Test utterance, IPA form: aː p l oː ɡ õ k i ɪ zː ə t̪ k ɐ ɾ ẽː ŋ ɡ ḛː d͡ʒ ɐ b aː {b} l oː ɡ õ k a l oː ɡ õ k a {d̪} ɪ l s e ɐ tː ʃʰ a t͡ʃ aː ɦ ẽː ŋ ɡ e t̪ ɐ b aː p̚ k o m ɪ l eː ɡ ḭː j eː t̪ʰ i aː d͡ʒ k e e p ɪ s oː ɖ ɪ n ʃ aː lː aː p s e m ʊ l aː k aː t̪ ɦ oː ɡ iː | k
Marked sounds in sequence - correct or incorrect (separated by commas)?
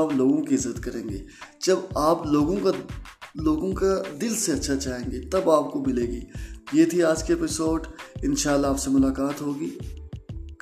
incorrect, correct